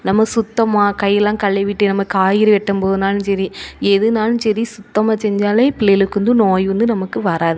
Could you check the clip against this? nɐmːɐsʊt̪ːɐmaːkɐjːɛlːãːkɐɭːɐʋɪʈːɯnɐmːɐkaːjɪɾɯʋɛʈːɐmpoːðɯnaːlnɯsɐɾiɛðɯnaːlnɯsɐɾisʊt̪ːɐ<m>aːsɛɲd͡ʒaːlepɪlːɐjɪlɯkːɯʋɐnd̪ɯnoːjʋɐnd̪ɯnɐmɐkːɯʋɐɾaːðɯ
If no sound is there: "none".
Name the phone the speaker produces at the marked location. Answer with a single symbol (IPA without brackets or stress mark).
m